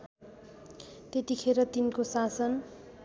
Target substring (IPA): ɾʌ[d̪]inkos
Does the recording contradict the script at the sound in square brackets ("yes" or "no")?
yes